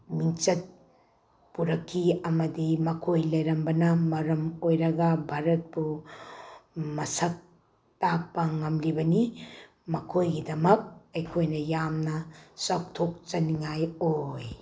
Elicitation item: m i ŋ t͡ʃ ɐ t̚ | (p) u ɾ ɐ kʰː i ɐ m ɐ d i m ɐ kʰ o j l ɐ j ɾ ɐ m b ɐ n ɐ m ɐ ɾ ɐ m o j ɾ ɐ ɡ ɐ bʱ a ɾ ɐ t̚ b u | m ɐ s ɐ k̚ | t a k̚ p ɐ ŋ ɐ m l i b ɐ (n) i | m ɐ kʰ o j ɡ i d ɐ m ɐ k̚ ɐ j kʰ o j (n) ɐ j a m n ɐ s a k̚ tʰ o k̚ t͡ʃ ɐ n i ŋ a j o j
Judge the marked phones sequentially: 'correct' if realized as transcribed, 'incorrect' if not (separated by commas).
correct, correct, correct